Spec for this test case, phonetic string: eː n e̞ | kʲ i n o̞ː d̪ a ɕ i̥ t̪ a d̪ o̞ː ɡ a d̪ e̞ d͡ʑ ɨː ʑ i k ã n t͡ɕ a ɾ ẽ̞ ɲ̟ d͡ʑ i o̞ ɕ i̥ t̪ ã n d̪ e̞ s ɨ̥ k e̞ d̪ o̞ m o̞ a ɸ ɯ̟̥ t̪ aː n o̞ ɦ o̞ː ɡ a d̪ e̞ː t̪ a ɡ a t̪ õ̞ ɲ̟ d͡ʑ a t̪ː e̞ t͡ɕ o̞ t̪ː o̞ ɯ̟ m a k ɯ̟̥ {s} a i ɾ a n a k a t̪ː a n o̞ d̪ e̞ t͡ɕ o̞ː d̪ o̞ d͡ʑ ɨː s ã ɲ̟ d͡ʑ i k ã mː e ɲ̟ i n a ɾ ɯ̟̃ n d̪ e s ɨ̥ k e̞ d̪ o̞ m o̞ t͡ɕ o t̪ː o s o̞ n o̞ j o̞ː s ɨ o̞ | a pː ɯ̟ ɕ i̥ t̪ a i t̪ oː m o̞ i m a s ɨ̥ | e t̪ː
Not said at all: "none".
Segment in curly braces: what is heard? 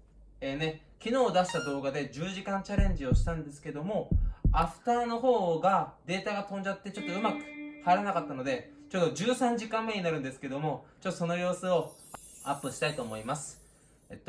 h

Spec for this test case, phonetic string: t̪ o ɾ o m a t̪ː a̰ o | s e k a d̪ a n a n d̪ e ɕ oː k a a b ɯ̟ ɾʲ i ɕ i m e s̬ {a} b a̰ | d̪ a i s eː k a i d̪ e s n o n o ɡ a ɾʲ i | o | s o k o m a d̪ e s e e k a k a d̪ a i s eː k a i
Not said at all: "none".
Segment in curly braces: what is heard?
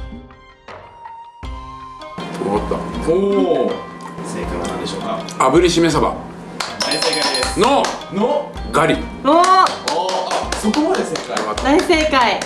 a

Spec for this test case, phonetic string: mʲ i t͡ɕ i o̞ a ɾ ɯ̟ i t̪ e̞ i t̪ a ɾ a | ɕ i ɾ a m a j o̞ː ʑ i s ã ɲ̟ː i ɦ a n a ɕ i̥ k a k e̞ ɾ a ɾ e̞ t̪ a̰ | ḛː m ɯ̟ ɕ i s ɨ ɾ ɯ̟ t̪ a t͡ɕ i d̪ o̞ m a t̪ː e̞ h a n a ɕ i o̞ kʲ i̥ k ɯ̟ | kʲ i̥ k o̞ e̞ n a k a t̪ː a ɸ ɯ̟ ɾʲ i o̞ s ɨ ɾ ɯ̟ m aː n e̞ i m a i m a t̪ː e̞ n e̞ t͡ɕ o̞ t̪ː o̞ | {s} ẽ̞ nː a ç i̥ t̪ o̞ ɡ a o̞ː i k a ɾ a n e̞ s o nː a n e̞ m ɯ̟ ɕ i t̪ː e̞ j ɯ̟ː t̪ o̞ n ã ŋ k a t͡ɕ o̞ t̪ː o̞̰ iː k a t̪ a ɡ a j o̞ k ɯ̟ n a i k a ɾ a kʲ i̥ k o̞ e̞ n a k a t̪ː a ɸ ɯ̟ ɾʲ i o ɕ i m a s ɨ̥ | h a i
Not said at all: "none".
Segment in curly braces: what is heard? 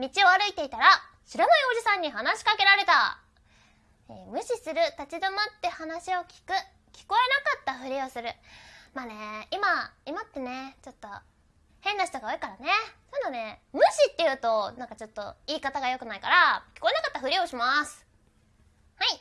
h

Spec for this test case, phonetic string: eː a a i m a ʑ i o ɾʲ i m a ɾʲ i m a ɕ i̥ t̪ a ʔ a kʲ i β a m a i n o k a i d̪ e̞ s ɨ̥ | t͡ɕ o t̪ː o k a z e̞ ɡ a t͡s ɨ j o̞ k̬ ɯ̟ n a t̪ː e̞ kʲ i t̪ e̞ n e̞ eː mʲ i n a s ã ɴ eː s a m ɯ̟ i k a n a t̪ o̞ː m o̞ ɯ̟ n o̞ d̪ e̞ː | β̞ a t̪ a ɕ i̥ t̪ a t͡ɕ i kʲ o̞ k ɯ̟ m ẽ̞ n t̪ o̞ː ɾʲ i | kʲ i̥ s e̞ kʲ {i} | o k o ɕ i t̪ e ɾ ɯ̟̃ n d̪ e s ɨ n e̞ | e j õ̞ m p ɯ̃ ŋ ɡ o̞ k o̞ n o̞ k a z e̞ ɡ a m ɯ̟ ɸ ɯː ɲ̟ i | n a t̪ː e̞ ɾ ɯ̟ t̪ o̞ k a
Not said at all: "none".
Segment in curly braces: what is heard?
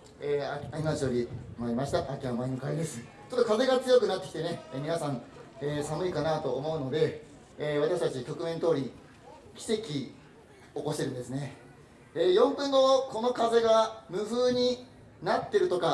i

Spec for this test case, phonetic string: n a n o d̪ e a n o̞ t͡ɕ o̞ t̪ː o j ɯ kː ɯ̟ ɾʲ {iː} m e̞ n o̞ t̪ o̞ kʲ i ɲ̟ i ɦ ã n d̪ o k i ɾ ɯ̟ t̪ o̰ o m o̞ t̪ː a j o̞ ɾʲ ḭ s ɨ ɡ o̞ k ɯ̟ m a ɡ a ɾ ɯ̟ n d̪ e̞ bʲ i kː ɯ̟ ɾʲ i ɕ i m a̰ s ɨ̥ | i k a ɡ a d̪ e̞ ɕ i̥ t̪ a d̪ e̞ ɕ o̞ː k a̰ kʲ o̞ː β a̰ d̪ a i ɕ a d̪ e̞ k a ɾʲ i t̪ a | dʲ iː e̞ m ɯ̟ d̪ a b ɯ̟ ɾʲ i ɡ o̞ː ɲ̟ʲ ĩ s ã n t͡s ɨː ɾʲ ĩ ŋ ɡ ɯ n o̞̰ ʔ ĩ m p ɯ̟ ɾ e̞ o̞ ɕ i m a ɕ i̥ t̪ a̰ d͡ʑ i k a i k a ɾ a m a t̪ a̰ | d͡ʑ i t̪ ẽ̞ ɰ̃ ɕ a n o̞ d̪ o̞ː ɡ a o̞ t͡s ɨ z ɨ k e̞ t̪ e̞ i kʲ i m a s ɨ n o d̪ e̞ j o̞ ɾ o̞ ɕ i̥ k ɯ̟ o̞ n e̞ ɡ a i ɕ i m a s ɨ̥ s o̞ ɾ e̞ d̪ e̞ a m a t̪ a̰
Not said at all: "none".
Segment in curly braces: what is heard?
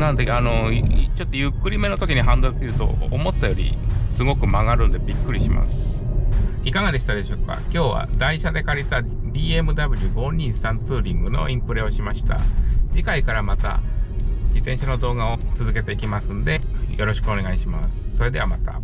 i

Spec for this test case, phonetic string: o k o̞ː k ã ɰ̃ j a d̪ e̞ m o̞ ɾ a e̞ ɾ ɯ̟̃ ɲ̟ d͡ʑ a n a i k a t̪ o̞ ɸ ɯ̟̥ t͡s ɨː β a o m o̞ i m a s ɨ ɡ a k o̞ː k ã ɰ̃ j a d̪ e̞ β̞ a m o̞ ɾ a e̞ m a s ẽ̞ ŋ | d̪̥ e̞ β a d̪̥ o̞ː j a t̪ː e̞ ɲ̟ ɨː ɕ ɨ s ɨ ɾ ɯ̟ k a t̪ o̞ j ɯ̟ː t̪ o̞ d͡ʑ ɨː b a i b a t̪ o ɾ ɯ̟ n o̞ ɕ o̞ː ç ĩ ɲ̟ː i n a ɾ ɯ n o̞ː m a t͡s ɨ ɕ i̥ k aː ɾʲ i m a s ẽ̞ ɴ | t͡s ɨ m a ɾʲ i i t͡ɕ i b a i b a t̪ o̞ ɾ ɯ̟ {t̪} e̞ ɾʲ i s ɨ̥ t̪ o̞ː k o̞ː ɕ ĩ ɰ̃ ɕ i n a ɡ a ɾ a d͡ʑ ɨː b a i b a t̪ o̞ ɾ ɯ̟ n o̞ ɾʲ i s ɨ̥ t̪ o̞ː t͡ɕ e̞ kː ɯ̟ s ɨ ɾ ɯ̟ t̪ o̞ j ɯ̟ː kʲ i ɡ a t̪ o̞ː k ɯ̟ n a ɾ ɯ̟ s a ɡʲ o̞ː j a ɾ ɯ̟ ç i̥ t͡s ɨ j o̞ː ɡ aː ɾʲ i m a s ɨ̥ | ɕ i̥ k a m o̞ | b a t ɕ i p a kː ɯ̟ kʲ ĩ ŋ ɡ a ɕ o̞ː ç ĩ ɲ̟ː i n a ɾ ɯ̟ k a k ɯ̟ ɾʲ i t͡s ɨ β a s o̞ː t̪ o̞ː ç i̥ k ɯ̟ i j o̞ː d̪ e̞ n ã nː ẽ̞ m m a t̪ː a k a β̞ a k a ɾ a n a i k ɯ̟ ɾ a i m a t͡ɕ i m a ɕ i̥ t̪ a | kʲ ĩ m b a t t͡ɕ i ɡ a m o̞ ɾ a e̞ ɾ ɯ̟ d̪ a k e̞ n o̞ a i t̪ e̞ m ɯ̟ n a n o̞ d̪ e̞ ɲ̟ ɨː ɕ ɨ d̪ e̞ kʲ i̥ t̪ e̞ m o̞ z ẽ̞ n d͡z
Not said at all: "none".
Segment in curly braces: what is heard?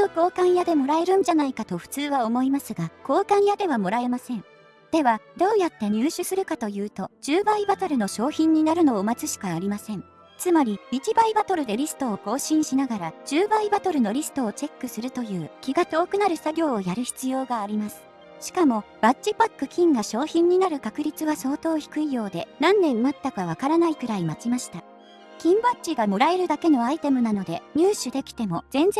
d̪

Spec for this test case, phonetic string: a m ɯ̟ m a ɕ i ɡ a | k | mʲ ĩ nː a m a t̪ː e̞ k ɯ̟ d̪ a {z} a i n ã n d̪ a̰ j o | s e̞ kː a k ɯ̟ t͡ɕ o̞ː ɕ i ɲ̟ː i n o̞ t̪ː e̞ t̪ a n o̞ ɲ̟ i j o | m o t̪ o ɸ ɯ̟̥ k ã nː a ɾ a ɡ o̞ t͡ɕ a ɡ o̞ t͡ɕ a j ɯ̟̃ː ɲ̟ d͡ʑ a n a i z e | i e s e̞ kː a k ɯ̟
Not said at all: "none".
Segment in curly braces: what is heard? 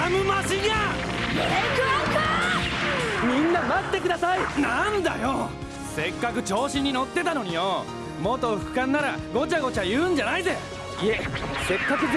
s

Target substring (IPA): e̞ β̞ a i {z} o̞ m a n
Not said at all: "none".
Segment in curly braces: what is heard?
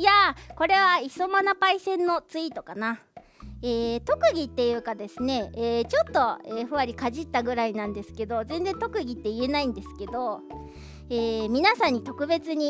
s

